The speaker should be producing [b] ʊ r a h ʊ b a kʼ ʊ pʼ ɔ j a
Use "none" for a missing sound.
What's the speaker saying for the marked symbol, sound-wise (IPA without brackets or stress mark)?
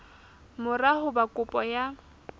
m